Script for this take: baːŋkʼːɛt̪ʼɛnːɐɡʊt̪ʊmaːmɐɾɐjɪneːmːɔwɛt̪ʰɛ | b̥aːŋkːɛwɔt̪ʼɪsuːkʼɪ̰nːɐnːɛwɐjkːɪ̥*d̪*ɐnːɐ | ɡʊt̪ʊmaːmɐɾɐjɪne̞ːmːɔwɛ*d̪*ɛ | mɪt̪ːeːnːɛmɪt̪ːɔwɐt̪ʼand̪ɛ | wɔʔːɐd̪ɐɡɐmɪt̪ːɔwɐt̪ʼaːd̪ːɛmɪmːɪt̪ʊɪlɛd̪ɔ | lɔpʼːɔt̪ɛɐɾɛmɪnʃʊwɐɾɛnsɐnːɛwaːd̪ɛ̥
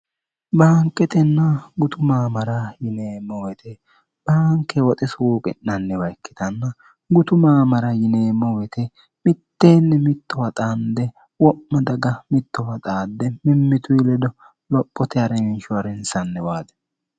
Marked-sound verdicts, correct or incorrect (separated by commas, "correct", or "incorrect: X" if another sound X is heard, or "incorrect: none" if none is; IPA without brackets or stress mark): incorrect: t̪, incorrect: t̪